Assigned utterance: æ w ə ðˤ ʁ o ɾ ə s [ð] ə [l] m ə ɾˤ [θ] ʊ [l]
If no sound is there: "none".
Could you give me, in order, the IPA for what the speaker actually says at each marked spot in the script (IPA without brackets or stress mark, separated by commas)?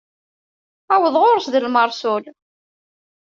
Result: ð, l, s, l